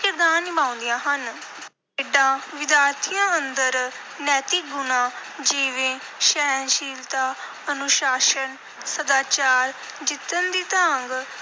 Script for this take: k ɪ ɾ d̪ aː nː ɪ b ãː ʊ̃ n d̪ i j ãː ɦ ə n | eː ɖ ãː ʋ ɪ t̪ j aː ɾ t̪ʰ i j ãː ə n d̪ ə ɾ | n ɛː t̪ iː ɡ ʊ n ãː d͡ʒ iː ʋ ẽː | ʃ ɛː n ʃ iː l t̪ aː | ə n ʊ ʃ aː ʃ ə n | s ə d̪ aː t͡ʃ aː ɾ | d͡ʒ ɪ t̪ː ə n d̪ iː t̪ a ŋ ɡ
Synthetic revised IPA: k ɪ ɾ d̪ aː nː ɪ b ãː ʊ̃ n d̪ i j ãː ɦ ə n | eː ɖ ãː ʋ ɪ d̪ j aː ɾ t̪ʰ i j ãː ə n d̪ ə ɾ | n ɛː t̪ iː ɡ ʊ n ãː d͡ʒ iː ʋ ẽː | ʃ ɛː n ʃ iː l t̪ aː | ə n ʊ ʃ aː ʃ ə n | s ə d̪ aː t͡ʃ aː ɾ | d͡ʒ ɪ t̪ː ə n d̪ iː t̪ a ŋ ɡ